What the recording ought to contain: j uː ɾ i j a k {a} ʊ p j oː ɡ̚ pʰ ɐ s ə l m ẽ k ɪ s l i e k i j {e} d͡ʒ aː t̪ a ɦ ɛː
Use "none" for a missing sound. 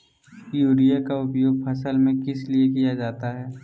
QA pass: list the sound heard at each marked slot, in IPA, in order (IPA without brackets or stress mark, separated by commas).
a, a